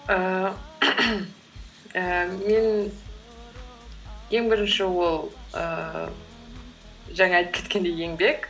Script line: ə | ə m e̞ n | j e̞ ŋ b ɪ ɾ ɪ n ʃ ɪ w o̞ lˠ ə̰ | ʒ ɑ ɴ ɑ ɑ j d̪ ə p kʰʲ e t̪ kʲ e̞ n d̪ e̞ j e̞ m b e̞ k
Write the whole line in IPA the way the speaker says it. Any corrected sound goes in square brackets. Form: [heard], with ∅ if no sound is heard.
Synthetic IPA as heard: ə | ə m e̞ n | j e̞ ŋ b ɪ ɾ ɪ n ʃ ɪ w o̞ lˠ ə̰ | ʒ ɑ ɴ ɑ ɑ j [t̪] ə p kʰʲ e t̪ kʲ e̞ n d̪ e̞ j e̞ [ŋ] b e̞ k